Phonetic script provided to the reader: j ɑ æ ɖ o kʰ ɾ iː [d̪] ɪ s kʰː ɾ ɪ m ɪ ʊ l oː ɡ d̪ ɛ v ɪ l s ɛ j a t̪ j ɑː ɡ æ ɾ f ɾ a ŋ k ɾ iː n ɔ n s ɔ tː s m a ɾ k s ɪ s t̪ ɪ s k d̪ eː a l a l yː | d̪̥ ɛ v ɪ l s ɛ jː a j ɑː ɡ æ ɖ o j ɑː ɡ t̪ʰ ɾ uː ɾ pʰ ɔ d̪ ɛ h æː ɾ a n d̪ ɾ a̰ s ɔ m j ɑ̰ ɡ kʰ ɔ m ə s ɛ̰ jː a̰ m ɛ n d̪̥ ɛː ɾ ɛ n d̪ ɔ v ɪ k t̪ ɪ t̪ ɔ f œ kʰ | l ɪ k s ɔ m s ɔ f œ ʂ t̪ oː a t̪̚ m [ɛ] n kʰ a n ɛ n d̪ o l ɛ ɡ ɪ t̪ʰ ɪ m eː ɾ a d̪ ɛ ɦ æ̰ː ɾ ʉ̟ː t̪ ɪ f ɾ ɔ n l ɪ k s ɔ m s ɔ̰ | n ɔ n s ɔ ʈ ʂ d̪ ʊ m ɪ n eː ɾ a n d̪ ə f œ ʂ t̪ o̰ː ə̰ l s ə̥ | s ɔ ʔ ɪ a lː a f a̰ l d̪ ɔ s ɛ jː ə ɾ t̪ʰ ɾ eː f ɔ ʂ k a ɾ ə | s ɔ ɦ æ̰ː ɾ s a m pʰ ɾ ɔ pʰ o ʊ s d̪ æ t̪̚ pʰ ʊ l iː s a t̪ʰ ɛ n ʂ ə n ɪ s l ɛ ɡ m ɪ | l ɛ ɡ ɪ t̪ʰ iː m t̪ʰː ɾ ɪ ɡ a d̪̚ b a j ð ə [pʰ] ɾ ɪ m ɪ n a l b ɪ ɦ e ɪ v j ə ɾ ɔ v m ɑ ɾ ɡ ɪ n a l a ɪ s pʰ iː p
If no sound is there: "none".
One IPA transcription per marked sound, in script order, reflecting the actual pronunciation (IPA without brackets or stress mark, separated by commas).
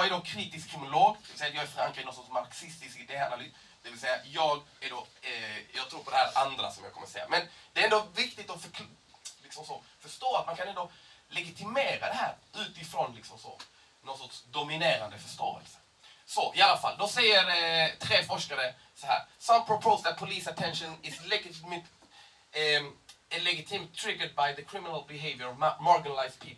t̪, a, kʰ